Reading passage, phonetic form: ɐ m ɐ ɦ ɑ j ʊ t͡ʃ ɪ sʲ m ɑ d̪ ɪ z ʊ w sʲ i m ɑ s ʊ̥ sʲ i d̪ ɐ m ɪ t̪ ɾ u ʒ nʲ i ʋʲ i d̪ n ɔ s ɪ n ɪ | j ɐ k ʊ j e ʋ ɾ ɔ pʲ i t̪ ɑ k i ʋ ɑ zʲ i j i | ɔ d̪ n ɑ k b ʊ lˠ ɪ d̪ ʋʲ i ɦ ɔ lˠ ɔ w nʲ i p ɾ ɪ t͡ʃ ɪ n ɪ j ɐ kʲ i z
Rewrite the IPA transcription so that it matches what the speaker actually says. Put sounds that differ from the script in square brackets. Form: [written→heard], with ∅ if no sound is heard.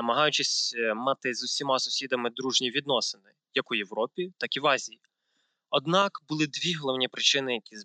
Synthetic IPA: ɐ m ɐ ɦ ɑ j ʊ t͡ʃ ɪ sʲ m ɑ [d̪→t̪] ɪ z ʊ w sʲ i m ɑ s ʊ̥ sʲ i d̪ ɐ m ɪ [t̪→d̪] ɾ u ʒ nʲ i ʋʲ i d̪ n ɔ s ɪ n ɪ | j ɐ k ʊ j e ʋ ɾ ɔ pʲ i t̪ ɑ k i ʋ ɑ zʲ i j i | ɔ d̪ n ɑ k b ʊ lˠ ɪ d̪ ʋʲ i ɦ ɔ lˠ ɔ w nʲ i p ɾ ɪ t͡ʃ ɪ n ɪ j ɐ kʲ i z